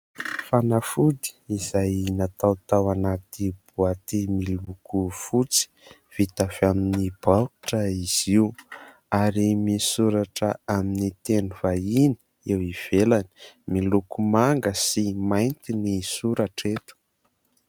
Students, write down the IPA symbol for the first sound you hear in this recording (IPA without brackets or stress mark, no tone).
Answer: f